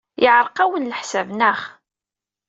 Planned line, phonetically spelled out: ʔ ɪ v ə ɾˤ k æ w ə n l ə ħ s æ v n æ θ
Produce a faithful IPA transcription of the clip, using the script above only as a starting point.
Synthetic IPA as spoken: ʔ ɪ ʕ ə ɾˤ q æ w ə n l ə ħ s æ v n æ χ

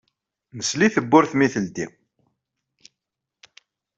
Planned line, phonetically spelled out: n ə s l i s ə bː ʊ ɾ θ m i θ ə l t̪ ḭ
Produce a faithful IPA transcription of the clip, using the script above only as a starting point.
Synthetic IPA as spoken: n ə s l i θ ə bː ʊ ɾ θ m i θ ə l d̪ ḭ

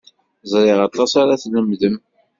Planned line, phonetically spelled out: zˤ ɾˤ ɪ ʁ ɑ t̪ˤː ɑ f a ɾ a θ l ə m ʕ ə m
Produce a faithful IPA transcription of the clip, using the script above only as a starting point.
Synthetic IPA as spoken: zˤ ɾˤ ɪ ʁ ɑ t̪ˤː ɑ s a ɾ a θ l ə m ð ə m

